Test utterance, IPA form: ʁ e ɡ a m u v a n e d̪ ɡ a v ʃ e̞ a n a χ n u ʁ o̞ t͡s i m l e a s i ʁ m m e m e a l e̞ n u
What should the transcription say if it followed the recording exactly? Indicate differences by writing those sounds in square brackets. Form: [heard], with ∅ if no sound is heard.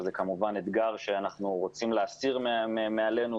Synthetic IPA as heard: [z] e [k] a m u v a n e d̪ ɡ a [ʁ] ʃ e̞ a n a χ n u ʁ o̞ t͡s i m l e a s i ʁ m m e m e a l e̞ n u